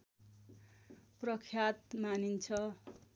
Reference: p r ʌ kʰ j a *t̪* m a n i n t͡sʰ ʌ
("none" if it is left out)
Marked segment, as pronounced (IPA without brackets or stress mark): t̪